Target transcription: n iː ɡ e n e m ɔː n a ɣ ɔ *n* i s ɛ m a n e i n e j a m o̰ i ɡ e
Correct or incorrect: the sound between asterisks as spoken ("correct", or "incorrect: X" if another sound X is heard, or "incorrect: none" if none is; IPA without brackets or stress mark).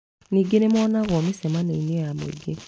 incorrect: m